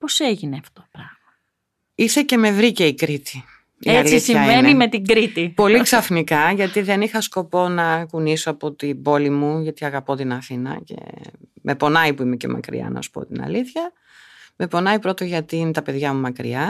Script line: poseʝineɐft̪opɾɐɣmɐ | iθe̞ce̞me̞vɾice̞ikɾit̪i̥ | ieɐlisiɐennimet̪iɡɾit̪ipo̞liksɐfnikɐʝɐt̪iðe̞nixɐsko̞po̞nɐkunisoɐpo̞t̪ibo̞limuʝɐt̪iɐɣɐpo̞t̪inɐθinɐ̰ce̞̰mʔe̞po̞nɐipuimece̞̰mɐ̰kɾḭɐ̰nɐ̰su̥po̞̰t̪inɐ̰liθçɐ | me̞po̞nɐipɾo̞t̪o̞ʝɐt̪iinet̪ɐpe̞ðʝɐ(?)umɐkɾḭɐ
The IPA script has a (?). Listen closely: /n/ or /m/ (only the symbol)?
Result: m